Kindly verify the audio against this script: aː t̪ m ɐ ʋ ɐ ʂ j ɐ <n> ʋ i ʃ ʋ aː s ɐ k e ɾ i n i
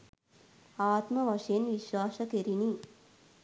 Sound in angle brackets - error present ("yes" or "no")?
no